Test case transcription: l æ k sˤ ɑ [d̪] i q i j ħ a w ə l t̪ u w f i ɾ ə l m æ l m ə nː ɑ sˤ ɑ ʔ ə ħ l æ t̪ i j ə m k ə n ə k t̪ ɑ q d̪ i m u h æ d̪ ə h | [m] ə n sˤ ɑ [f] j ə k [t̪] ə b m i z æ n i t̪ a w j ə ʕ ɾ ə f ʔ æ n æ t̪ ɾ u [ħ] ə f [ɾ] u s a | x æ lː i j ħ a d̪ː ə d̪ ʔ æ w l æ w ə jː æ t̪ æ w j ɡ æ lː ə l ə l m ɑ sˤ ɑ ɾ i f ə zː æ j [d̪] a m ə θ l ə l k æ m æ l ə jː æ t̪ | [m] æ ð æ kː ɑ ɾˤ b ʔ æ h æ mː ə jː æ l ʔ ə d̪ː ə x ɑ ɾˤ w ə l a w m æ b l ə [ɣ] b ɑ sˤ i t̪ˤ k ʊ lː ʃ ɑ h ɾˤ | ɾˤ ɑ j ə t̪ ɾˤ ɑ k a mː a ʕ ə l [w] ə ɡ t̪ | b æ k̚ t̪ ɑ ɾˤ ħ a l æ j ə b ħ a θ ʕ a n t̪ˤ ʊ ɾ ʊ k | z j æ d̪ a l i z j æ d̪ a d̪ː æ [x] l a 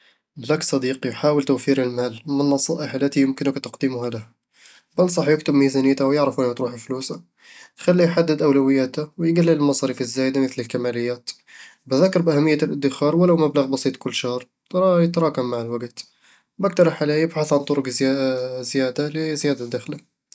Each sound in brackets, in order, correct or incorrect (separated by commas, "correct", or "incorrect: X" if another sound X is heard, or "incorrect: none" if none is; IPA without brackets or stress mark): correct, incorrect: b, incorrect: ħ, correct, correct, incorrect: l, correct, incorrect: b, correct, correct, correct